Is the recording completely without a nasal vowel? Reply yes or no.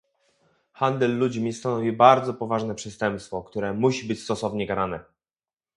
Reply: yes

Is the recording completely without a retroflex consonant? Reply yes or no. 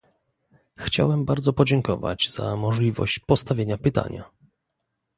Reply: no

